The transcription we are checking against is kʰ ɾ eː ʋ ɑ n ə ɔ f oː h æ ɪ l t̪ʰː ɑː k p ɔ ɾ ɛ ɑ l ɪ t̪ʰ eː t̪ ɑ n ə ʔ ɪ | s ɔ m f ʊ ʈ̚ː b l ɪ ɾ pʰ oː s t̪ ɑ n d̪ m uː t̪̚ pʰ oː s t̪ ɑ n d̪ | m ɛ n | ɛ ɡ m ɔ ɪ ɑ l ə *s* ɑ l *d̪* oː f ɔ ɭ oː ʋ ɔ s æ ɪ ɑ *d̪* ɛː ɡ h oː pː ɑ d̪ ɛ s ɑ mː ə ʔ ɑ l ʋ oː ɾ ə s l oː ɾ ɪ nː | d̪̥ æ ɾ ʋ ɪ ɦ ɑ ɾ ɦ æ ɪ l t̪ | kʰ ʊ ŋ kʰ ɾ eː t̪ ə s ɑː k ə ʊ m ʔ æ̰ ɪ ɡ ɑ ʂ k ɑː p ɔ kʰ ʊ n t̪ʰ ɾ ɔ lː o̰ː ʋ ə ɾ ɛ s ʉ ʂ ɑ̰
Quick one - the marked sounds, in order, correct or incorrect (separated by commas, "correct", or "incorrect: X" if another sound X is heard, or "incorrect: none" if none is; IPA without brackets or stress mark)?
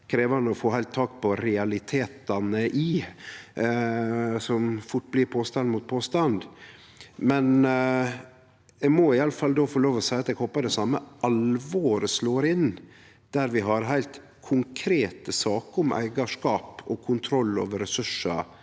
incorrect: f, correct, incorrect: t̪